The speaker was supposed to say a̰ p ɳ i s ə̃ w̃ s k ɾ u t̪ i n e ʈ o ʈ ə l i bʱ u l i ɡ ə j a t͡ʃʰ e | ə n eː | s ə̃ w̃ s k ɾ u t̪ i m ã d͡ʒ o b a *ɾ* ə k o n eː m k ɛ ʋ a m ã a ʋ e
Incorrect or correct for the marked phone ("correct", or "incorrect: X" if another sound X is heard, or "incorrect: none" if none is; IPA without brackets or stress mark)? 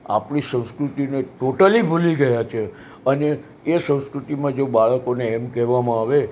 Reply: incorrect: ɭ